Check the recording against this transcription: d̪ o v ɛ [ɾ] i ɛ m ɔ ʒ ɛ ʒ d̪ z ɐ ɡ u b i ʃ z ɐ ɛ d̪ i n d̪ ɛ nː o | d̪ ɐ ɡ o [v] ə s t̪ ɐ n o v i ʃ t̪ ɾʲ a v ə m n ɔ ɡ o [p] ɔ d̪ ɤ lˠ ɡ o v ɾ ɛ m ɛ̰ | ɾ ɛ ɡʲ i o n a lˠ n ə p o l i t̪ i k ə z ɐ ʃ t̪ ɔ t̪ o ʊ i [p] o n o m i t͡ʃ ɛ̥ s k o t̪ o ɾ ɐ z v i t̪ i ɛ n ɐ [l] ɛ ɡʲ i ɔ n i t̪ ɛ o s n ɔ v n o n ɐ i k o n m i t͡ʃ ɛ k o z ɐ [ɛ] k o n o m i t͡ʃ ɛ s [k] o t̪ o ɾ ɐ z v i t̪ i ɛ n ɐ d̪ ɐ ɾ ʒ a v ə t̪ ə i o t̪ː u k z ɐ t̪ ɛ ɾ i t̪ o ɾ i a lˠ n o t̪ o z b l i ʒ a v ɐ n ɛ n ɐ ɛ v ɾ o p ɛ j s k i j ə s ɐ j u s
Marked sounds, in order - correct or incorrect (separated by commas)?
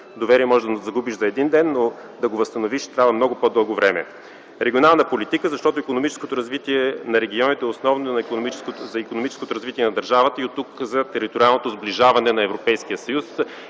correct, correct, correct, incorrect, incorrect, incorrect, correct